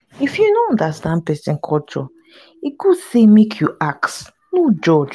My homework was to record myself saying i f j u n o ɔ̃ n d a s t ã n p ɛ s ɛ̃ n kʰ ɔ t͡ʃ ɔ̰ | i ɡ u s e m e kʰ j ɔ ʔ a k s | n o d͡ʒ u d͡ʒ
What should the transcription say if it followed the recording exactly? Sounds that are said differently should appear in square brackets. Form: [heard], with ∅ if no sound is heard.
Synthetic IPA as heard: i f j u n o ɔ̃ n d a s t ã n p ɛ s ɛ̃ n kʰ ɔ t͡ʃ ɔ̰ | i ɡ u s e m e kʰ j [u] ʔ a k s | n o d͡ʒ [ɔ] d͡ʒ